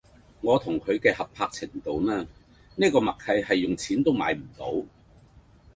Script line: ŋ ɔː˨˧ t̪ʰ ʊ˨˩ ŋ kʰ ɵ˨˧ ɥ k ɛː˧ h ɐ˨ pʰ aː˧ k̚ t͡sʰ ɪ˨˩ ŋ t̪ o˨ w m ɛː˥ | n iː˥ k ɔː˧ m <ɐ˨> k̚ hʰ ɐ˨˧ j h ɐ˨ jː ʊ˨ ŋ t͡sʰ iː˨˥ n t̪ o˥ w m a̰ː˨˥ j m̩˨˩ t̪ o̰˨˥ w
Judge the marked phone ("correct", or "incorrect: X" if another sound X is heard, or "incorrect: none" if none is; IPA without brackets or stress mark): correct